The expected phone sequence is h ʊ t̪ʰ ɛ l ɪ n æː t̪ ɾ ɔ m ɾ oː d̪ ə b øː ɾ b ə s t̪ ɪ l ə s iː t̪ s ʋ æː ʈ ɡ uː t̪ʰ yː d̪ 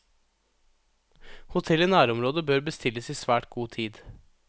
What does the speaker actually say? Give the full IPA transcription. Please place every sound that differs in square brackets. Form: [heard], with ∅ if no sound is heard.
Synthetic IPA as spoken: h ʊ t̪ʰ ɛ l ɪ n æː [∅] ɾ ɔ m ɾ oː d̪ ə b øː ɾ b ə s t̪ ɪ l ə s iː [∅] s ʋ æː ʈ ɡ uː t̪ʰ [iː] d̪